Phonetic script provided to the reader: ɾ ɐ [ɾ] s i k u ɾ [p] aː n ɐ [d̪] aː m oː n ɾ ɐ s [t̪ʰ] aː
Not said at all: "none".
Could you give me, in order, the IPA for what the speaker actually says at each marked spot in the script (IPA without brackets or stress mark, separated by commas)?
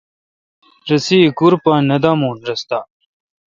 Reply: none, p, d̪, t̪